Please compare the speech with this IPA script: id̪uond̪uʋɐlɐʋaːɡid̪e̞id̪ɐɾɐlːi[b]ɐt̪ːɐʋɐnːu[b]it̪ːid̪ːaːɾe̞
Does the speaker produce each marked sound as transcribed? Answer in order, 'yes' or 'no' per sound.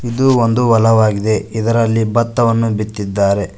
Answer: yes, yes

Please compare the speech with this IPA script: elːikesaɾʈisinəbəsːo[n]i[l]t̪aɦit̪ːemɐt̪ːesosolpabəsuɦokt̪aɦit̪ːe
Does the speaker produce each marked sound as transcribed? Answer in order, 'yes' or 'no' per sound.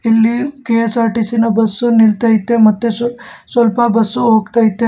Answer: yes, yes

